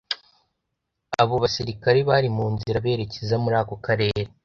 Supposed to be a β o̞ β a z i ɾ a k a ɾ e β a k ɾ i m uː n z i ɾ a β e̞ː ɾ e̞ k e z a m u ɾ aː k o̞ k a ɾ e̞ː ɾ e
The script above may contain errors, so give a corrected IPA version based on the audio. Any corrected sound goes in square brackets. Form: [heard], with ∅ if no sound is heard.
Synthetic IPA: a β o̞ β a [s] i ɾ [i] k a ɾ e β a [∅] ɾ i m uː n z i ɾ a β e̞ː ɾ e̞ [c] e z a m u ɾ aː k o̞ k a ɾ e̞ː ɾ e